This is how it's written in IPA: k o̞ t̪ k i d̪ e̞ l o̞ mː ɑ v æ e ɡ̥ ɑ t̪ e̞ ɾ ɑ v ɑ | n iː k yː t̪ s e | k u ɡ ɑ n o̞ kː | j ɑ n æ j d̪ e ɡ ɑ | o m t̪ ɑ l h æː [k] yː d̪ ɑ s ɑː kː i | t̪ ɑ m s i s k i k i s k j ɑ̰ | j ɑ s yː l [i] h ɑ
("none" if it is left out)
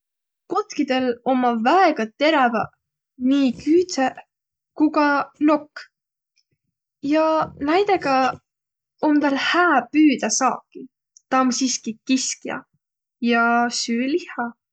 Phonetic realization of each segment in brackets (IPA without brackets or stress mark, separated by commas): p, i